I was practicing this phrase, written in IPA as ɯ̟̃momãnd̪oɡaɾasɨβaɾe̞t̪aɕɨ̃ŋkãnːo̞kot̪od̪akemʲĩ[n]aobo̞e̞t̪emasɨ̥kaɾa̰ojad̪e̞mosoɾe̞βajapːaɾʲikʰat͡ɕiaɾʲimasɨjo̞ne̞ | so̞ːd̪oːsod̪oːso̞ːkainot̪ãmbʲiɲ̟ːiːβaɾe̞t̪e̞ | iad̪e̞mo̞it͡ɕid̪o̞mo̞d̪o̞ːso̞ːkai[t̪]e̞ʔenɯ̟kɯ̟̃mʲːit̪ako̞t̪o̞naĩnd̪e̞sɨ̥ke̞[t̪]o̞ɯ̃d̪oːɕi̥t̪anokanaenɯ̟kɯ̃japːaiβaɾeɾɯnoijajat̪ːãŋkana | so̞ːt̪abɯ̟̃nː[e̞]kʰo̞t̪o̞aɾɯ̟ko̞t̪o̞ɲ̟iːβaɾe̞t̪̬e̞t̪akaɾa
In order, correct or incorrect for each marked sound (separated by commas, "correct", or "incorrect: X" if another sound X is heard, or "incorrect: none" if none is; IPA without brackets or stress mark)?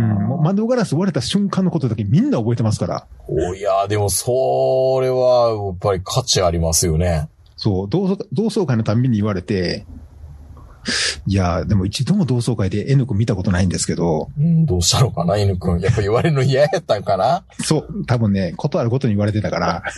incorrect: nː, incorrect: d̪, incorrect: d̪, correct